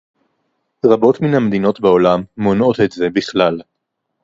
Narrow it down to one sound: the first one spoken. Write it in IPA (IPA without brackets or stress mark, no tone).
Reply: ʁ